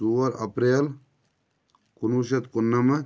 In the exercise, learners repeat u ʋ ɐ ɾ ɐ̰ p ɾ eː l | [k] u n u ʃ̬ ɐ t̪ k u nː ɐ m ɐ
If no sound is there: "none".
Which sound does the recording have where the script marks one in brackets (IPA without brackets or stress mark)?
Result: k